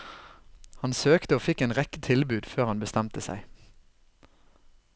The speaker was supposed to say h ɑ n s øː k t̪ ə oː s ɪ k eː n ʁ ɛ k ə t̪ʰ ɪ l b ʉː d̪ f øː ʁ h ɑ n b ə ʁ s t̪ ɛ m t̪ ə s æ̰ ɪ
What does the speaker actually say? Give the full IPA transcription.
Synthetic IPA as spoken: h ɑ n s øː k t̪ ə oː f ɪ k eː n ʁ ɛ k ə t̪ʰ ɪ l b ʉː d̪ f øː ʁ h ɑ n b ə s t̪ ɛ m t̪ ə s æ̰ ɪ